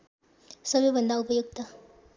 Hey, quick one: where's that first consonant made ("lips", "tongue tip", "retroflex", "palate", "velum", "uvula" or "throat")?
tongue tip